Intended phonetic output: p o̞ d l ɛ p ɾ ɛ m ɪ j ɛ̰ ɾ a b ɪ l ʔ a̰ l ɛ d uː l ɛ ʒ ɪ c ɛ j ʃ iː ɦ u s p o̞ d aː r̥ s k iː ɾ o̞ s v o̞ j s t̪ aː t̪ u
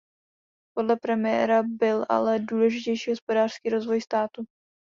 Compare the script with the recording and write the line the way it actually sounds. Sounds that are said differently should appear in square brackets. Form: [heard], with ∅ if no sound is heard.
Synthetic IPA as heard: p o̞ d l ɛ p ɾ ɛ m ɪ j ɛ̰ ɾ a b ɪ l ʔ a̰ l ɛ d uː l ɛ ʒ ɪ c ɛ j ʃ iː ɦ [o] s p o̞ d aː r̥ s k iː ɾ o̞ [z] v o̞ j s t̪ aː t̪ u